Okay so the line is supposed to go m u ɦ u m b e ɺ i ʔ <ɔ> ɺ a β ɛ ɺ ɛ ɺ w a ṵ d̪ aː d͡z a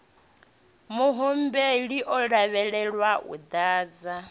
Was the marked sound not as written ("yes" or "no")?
no